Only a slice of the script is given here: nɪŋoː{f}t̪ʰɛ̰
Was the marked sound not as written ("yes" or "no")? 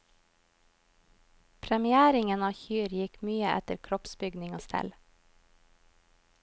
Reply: yes